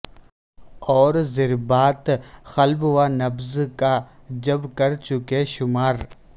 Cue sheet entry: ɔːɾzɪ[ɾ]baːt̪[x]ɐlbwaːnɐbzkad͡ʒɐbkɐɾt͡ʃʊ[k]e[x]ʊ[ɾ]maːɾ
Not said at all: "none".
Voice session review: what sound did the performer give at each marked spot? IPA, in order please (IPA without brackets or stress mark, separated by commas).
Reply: ɾ, x, k, ʃ, none